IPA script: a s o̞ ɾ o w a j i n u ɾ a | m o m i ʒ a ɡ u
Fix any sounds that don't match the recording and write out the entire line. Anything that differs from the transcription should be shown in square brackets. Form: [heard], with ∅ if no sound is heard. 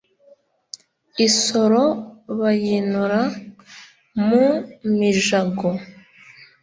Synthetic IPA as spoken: [i] s o̞ ɾ o [β] a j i n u ɾ a | m [u] m i ʒ a ɡ [o]